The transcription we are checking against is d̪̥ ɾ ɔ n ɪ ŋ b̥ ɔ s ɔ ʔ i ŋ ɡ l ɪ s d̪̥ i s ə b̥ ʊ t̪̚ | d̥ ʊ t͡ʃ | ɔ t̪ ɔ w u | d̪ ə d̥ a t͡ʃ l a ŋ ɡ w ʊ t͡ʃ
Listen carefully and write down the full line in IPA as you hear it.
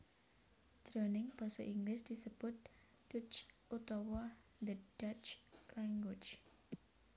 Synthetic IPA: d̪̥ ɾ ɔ n ɪ ŋ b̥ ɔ s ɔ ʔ i ŋ ɡ l ɪ s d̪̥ i s ə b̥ ʊ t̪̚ | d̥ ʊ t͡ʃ | u t̪ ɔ w ɔ | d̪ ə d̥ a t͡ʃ l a ŋ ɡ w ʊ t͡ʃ